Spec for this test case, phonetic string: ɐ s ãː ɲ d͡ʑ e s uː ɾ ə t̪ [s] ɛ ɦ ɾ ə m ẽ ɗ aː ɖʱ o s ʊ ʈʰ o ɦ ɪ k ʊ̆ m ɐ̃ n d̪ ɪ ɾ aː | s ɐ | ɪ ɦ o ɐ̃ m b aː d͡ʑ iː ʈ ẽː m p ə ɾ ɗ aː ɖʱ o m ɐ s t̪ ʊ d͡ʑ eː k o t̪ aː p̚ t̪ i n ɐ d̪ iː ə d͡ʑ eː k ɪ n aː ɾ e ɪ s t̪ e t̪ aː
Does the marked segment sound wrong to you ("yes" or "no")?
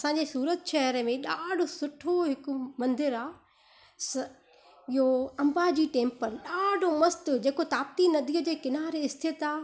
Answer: yes